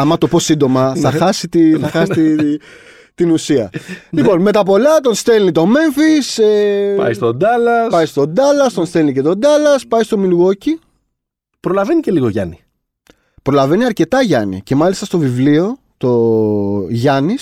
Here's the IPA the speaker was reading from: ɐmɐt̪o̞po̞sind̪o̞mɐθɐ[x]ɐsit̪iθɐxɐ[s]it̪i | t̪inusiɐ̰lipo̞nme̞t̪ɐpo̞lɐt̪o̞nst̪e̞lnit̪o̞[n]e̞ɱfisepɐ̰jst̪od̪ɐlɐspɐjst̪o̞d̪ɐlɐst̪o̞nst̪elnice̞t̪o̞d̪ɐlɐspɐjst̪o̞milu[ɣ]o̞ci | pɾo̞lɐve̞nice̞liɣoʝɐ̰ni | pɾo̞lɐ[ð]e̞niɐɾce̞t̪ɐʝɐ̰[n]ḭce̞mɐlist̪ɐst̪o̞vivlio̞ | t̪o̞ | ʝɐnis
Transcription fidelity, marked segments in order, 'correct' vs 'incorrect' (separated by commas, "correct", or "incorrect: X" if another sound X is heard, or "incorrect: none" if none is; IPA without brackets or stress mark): correct, correct, incorrect: m, correct, incorrect: v, correct